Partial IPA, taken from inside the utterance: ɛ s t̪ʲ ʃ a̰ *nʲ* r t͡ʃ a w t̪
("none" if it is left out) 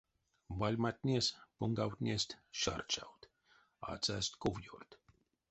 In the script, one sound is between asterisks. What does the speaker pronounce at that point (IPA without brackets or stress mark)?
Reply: none